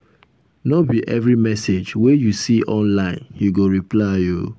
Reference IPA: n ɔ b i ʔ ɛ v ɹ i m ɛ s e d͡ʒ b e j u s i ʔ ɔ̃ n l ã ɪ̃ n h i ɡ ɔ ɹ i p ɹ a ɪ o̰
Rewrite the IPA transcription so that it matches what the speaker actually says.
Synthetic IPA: n ɔ b i ʔ ɛ v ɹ i m ɛ s e d͡ʒ w e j u s i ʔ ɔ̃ n l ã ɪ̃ n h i ɡ o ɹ i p l a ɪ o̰